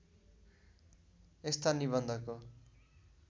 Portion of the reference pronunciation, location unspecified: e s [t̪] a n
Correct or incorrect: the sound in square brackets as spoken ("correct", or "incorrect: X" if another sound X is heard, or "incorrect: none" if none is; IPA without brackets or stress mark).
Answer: correct